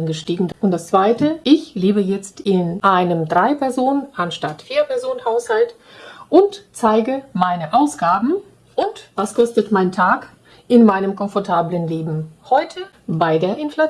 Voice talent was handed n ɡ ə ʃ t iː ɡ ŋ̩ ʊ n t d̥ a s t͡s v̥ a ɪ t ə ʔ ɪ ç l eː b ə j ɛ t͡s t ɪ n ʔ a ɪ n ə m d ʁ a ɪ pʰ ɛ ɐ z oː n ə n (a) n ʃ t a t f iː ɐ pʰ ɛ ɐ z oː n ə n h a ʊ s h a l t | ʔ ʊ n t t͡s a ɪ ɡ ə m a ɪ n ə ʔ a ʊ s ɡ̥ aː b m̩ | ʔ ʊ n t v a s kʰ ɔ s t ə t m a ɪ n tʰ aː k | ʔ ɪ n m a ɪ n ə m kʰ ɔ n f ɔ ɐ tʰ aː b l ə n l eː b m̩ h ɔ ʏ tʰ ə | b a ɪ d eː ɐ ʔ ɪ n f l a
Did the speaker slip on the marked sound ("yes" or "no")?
no